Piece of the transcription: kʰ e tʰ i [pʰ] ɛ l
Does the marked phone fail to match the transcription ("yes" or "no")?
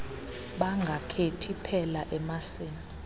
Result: no